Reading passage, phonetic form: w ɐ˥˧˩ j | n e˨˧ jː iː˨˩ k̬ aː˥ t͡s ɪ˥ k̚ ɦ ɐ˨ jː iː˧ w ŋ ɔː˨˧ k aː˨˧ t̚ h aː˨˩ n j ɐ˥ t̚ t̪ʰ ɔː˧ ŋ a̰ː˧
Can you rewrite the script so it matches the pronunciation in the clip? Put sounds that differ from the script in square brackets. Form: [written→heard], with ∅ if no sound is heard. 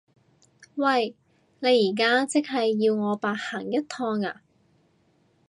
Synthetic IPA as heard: w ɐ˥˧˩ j | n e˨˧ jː iː˨˩ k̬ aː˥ t͡s ɪ˥ k̚ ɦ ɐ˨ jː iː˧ w ŋ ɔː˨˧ [k→p] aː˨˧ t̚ h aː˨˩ [n→ŋ] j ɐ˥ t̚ t̪ʰ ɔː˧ ŋ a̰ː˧